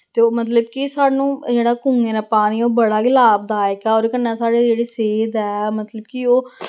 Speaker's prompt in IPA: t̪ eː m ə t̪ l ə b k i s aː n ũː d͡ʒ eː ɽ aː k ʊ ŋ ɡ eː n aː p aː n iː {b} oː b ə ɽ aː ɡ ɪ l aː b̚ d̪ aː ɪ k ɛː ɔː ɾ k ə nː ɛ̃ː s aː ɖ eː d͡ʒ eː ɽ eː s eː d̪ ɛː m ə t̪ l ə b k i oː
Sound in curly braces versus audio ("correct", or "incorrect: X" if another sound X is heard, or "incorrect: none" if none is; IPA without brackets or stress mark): incorrect: none